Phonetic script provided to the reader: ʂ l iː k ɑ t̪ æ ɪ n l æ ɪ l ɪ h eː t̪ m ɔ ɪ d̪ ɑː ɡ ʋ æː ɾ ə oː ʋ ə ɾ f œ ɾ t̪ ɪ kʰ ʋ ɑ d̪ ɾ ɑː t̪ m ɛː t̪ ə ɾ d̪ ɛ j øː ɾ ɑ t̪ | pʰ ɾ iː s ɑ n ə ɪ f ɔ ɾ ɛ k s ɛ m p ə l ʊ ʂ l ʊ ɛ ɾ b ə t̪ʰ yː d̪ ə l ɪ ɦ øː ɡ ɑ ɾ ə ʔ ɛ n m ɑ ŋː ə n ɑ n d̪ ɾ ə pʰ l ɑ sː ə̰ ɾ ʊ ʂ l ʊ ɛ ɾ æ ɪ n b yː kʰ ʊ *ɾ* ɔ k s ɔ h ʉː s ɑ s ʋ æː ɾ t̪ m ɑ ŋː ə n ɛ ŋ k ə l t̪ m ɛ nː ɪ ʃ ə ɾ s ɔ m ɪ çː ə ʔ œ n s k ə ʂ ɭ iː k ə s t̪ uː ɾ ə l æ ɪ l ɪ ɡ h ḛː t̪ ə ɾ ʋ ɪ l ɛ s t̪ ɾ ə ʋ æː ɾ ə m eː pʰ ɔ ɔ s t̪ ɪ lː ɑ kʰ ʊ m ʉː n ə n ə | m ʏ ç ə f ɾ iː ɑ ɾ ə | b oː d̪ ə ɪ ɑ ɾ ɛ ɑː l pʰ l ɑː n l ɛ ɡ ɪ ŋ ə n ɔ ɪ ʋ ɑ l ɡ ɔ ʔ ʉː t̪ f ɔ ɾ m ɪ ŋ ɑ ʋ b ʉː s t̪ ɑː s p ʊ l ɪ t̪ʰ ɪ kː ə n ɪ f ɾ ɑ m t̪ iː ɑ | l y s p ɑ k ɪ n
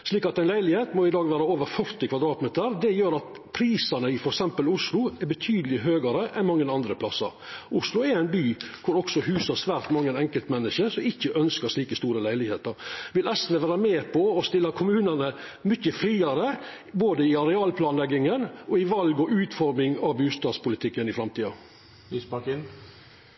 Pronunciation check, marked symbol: correct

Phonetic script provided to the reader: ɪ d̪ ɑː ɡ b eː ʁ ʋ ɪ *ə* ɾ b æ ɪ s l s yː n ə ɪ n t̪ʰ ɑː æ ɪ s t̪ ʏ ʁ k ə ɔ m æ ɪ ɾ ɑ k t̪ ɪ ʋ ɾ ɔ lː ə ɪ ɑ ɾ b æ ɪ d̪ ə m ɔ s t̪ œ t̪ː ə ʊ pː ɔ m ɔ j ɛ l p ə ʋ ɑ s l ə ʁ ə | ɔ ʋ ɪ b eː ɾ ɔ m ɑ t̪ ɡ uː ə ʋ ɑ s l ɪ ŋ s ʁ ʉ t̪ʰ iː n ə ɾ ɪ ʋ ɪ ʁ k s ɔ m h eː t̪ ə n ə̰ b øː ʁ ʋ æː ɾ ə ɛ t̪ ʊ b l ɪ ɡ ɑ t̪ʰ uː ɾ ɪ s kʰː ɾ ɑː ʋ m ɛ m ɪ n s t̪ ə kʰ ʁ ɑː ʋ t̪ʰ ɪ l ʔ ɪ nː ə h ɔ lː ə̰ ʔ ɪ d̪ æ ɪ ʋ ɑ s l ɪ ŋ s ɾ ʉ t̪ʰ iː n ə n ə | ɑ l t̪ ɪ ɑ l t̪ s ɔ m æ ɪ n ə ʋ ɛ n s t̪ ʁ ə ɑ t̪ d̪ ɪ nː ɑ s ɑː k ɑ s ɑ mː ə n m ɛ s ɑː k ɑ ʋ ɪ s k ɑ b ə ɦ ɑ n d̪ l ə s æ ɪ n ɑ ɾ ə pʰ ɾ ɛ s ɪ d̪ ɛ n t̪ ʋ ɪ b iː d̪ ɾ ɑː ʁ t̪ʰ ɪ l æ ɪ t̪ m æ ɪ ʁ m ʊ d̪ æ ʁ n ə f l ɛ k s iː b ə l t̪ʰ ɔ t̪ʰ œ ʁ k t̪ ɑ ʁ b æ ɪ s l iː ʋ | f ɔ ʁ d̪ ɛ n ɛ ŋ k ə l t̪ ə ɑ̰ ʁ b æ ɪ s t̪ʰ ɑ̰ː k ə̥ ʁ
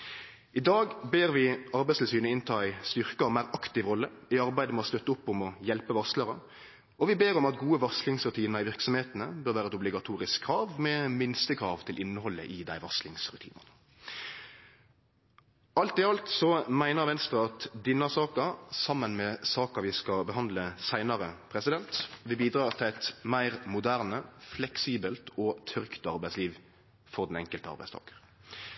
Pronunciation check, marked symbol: incorrect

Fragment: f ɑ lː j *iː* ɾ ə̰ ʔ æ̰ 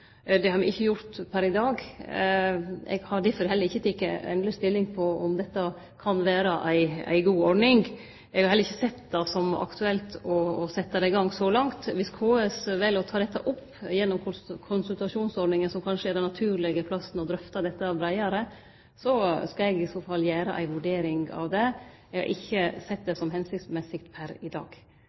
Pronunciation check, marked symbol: incorrect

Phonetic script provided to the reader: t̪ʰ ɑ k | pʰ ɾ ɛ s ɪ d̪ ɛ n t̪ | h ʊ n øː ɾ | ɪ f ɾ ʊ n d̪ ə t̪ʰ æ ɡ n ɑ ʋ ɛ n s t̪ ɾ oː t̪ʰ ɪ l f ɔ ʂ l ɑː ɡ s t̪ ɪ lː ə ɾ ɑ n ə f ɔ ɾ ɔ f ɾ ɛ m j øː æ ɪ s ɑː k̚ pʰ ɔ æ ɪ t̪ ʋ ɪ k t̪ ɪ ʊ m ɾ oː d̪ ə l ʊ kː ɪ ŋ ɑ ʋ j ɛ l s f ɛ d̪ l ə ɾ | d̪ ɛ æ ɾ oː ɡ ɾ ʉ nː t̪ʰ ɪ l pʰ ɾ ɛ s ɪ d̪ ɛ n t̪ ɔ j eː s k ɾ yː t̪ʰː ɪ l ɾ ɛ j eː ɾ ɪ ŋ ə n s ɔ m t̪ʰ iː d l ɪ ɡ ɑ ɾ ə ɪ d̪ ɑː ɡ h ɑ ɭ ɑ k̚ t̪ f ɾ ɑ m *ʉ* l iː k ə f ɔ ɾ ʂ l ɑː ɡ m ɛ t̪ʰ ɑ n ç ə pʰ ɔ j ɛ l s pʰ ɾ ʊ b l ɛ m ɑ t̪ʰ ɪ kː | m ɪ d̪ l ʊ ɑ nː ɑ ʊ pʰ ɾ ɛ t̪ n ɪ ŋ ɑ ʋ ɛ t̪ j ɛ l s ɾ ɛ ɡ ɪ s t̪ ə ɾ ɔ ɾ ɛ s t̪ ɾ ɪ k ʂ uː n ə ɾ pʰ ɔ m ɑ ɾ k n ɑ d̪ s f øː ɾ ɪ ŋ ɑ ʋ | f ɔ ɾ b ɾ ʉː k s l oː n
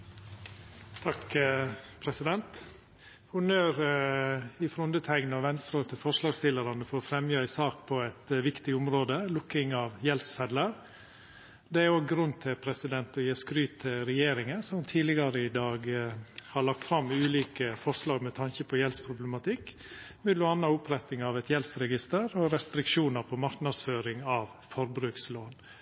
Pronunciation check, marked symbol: incorrect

